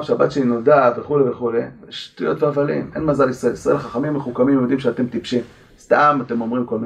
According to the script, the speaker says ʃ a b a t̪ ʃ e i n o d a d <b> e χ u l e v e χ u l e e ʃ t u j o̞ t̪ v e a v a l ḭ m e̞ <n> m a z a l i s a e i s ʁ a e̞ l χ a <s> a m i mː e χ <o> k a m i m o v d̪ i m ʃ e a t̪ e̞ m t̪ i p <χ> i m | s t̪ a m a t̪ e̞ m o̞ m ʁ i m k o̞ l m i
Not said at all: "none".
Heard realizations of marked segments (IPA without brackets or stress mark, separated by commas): v, n, χ, u, ʃ